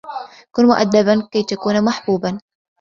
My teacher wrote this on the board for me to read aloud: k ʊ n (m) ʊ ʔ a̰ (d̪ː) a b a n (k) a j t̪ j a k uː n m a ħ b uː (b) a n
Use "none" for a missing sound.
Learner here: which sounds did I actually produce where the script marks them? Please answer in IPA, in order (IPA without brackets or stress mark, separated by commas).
m, d̪ː, k, b